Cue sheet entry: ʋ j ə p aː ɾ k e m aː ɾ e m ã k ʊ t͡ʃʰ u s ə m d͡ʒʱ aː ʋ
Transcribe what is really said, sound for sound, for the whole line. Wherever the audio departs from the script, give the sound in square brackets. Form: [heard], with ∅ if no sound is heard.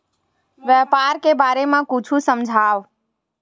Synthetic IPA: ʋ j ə p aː ɾ k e [b] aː ɾ e m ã k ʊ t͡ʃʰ u s ə m d͡ʒʱ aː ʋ